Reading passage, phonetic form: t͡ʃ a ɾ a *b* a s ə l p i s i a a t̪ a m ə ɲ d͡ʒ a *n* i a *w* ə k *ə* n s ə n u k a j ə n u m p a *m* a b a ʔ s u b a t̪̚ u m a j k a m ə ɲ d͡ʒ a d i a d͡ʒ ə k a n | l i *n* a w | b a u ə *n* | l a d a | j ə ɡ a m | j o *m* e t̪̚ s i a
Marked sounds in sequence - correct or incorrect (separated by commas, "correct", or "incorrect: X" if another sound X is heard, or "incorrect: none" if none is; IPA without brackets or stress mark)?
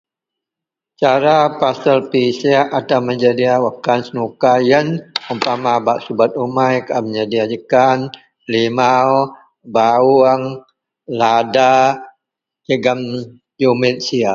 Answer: incorrect: p, incorrect: d, correct, incorrect: a, correct, incorrect: m, incorrect: ŋ, correct